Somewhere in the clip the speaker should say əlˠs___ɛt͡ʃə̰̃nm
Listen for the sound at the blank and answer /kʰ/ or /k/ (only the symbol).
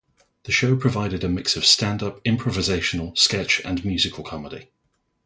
k